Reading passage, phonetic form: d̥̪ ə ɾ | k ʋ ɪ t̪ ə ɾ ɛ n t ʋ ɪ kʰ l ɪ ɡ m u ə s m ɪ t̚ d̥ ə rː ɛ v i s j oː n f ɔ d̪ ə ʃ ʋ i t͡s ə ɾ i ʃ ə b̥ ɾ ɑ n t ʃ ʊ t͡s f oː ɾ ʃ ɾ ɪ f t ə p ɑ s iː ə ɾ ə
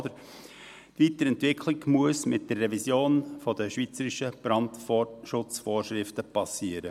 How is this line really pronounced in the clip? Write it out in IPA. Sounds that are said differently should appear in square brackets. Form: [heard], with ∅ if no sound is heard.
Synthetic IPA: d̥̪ ə ɾ | [t] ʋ [i] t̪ ə ɾ ɛ n t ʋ ɪ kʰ l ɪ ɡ m u ə s m ɪ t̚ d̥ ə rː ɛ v i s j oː n f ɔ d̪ ə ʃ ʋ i t͡s ə ɾ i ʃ ə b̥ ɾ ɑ n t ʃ ʊ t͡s f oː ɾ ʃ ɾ ɪ f t ə p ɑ s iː ə ɾ ə